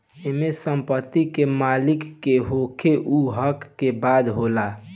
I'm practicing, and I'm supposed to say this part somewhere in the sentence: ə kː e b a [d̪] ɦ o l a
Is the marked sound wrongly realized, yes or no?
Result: no